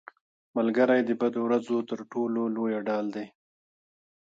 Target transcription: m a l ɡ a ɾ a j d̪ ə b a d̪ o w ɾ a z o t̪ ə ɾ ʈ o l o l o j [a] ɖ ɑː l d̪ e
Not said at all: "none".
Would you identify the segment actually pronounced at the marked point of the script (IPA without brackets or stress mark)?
a